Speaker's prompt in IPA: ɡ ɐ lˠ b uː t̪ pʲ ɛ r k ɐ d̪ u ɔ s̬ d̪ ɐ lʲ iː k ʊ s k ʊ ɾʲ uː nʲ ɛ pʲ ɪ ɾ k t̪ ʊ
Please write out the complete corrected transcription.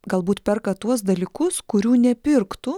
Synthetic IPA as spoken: ɡ ɐ lˠ b uː t̪ pʲ ɛ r k ɐ t̪ u ɔ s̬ d̪ ɐ lʲ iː k ʊ s k ʊ ɾʲ uː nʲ ɛ pʲ ɪ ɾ k t̪ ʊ